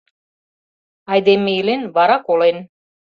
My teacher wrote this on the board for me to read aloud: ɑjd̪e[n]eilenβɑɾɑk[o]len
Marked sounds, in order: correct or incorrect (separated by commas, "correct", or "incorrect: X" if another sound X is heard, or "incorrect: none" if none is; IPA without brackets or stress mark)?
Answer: incorrect: m, correct